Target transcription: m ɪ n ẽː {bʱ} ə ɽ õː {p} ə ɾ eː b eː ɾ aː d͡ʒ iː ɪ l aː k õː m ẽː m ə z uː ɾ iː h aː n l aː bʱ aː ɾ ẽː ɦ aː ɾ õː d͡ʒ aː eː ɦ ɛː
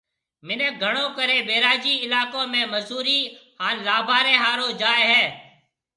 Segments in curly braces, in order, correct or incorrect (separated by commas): incorrect, incorrect